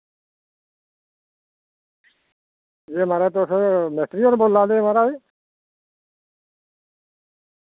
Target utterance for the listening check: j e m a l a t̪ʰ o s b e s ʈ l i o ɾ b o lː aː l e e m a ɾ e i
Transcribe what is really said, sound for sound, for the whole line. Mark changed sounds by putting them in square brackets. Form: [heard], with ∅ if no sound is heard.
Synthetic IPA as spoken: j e m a [ɾ] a [t̪] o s [m] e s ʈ [ɾ] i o ɾ b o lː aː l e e m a ɾ [a] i

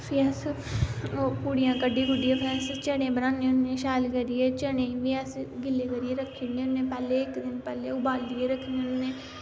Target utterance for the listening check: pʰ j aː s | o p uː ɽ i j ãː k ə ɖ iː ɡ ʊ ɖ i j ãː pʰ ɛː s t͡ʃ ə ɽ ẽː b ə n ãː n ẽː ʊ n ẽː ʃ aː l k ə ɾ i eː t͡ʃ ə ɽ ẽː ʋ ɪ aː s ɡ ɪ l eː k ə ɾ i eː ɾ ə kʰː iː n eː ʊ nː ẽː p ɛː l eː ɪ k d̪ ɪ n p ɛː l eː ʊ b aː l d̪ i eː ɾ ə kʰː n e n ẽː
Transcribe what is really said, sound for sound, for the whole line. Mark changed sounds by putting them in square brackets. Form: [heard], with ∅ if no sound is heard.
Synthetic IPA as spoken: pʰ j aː s | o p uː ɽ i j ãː k ə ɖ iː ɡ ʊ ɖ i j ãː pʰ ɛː s t͡ʃ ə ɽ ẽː b ə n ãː n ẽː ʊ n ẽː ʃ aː l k ə ɾ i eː t͡ʃ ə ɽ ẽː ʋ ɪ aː s ɡ ɪ l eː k ə ɾ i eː ɾ ə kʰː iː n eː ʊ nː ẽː p ɛː l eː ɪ k d̪ ɪ n p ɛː l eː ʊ b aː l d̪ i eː ɾ ə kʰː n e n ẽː

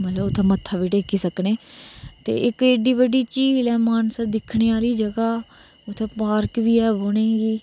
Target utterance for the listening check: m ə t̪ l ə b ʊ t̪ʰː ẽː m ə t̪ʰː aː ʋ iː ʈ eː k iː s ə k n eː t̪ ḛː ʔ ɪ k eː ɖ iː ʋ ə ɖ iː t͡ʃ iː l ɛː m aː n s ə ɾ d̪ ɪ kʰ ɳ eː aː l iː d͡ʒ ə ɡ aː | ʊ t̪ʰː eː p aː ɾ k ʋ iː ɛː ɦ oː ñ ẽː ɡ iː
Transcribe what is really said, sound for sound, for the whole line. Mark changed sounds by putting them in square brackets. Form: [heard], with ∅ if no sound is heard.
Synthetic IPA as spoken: m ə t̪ l ə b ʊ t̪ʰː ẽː m ə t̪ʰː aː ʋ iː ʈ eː k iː s ə k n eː t̪ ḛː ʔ ɪ k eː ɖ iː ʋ ə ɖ iː t͡ʃ iː l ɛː m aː n s ə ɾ d̪ ɪ kʰ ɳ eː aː l iː d͡ʒ ə ɡ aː | ʊ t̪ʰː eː p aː ɾ k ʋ iː ɛː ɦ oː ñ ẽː ɡ iː

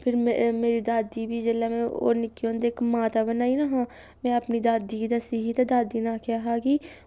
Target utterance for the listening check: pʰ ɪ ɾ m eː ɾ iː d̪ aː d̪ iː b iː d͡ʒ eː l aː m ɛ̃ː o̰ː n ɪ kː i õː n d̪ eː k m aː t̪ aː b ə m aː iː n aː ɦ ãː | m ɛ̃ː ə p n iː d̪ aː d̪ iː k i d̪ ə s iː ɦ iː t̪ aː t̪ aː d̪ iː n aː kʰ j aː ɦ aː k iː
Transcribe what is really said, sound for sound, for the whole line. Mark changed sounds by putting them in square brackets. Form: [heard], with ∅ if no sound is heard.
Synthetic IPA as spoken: pʰ ɪ ɾ m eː ɾ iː d̪ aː d̪ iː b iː d͡ʒ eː l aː m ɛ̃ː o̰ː n ɪ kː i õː n d̪ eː k m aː t̪ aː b ə [n] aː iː n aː ɦ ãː | m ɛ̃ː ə p n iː d̪ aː d̪ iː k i d̪ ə s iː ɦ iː t̪ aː [d̪] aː d̪ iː n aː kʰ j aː ɦ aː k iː

